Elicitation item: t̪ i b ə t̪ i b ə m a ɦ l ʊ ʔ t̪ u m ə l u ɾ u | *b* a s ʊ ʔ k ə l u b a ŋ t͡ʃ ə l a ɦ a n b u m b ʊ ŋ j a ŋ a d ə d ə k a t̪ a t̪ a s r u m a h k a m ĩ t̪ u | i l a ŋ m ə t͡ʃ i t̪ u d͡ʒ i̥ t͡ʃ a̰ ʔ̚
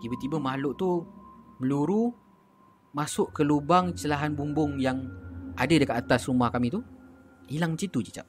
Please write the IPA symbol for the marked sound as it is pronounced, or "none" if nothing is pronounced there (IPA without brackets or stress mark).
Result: m